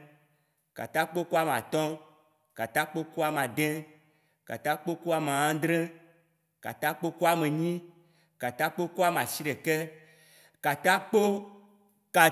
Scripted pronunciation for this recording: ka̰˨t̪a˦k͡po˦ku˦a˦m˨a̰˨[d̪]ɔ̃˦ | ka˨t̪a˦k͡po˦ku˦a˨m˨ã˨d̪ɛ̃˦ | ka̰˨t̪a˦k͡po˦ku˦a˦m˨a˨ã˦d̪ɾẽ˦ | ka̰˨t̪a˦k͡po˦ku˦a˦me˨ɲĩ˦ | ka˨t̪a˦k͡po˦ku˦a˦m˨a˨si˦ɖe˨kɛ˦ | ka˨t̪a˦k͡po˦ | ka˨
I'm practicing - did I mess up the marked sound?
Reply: yes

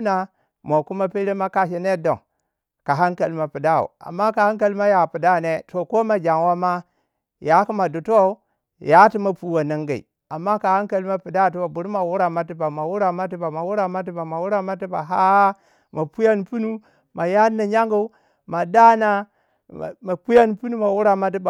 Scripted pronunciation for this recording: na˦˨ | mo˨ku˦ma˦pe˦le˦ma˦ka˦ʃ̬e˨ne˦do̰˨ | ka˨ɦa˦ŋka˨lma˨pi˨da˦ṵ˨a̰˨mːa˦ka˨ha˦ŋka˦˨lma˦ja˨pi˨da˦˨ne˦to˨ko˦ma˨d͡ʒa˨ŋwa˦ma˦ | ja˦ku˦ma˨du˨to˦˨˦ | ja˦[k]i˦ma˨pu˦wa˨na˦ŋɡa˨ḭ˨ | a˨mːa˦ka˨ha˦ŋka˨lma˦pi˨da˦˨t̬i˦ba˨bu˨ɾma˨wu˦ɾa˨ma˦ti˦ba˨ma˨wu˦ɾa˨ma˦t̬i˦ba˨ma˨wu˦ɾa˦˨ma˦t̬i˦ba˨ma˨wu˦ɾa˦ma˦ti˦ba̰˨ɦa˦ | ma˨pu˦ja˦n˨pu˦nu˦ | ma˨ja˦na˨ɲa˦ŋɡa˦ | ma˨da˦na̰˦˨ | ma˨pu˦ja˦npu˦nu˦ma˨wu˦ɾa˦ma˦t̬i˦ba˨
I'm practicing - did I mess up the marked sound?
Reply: yes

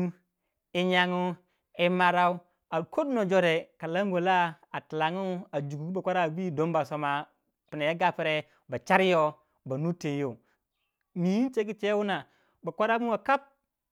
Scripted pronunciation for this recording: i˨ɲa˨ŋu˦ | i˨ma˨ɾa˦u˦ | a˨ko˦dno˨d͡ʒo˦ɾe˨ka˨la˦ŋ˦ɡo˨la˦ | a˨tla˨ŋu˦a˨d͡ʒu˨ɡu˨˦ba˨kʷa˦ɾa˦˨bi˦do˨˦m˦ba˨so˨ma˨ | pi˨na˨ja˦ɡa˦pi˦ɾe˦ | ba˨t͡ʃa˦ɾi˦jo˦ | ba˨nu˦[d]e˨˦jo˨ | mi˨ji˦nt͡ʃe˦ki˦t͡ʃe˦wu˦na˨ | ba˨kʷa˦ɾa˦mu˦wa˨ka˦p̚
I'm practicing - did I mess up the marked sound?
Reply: yes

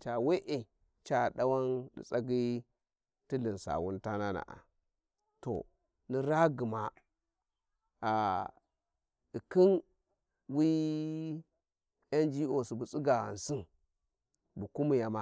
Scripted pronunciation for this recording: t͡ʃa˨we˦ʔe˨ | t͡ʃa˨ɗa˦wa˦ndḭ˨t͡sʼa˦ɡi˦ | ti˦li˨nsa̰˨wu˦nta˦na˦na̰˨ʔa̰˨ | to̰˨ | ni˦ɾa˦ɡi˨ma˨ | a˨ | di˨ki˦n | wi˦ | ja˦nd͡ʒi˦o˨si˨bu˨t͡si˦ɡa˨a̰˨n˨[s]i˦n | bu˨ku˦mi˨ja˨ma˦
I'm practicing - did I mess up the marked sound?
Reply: no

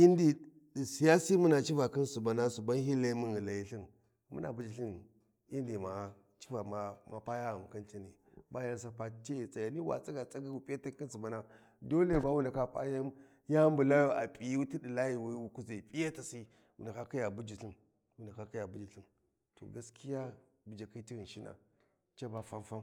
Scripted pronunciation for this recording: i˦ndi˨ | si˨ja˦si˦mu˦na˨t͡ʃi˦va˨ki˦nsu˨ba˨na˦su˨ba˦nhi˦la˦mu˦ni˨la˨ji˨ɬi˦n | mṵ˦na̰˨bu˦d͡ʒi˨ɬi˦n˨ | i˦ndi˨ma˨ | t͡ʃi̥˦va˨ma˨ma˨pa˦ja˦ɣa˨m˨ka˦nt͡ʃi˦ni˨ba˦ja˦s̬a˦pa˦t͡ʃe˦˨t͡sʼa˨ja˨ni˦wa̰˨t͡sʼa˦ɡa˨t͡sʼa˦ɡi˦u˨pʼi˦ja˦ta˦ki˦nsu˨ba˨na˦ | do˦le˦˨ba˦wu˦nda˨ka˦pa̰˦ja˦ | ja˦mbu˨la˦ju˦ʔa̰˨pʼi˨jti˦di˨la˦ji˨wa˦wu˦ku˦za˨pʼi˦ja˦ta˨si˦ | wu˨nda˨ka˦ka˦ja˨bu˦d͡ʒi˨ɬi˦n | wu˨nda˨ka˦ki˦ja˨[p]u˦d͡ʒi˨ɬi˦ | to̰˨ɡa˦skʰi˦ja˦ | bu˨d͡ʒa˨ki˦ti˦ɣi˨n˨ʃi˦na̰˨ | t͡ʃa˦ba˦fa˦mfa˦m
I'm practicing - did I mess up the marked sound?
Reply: yes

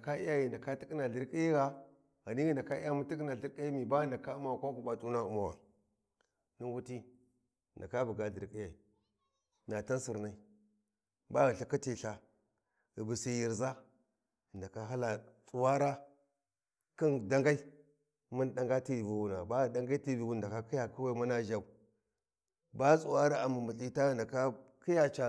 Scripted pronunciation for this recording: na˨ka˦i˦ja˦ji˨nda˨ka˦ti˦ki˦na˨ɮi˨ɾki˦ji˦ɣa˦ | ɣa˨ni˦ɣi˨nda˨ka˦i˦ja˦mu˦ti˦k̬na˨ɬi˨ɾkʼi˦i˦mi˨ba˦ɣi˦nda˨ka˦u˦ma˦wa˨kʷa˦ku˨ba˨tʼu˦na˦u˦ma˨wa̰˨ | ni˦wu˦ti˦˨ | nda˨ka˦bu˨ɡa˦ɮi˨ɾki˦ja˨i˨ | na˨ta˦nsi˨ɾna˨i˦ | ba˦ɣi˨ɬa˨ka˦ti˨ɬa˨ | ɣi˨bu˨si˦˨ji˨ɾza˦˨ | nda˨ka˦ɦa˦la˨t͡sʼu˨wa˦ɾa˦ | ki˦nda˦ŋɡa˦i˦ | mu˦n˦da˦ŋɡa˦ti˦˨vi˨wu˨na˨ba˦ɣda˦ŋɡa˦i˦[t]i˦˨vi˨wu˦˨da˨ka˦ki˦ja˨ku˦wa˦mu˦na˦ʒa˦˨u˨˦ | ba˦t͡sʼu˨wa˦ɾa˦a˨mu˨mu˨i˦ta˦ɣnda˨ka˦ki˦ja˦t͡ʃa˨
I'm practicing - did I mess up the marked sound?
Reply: no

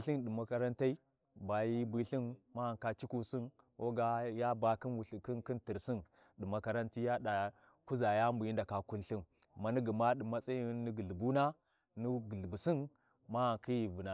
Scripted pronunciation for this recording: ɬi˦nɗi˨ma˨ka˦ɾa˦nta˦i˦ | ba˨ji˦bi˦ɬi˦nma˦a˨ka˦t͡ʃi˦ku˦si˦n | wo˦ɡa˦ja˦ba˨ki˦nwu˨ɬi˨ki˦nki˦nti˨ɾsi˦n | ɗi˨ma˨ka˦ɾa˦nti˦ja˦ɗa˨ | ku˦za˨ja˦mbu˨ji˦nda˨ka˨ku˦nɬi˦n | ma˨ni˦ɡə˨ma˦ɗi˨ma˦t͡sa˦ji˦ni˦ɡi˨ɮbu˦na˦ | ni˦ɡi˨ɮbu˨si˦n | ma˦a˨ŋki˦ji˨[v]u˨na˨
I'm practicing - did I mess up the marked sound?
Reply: no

